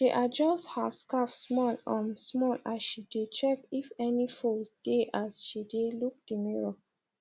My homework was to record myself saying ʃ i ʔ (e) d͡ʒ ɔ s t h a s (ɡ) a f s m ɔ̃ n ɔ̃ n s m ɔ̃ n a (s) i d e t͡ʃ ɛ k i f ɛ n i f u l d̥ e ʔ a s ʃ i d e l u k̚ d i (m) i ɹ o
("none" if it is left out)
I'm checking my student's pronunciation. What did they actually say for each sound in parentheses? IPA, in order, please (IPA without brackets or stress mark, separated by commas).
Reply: a, k, ʃ, m